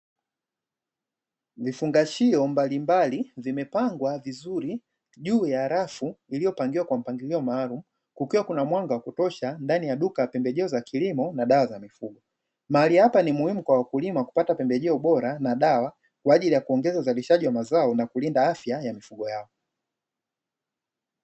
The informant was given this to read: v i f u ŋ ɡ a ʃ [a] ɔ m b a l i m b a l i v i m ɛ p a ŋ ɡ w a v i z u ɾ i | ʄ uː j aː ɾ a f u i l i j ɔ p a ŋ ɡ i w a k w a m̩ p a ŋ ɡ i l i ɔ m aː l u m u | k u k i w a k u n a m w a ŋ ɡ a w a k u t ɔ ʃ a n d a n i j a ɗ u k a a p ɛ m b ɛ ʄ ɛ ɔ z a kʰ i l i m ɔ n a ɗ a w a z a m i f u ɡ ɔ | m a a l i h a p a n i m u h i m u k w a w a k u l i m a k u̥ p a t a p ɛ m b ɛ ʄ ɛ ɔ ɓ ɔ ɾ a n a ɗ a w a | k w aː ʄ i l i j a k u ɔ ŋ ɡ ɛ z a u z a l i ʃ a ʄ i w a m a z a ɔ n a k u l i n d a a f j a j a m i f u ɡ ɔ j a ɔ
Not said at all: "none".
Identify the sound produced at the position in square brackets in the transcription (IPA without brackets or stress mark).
i